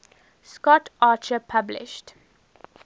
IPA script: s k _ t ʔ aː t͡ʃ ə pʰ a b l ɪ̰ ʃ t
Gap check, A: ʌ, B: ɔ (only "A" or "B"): B